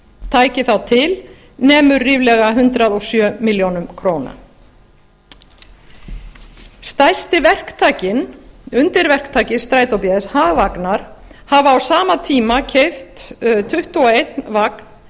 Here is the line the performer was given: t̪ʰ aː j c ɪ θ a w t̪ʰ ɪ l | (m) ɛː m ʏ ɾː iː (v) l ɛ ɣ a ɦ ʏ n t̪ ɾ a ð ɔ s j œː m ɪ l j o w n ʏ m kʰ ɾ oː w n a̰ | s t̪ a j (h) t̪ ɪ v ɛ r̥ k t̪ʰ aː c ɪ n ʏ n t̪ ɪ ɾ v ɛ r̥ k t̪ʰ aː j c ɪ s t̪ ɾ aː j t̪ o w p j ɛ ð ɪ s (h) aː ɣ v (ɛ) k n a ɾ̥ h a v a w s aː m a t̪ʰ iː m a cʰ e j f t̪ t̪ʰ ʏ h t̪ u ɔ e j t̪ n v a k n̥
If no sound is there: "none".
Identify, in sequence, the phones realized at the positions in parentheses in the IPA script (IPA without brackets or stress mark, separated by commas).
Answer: n, v, s, h, a